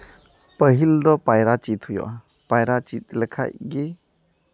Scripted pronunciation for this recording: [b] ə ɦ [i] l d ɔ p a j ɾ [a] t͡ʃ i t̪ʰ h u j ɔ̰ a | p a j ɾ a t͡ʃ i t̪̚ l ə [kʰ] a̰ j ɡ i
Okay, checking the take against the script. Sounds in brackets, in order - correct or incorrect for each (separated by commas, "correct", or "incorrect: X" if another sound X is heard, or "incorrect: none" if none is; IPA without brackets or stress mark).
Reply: incorrect: p, correct, correct, correct